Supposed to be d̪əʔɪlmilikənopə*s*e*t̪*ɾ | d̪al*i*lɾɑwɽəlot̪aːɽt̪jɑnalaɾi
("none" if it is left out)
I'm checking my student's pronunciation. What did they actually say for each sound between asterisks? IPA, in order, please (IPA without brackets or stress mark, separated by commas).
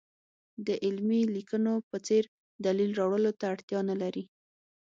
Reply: t͡s, none, i